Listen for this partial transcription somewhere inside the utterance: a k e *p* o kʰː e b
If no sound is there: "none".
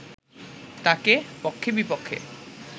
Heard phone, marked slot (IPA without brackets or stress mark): p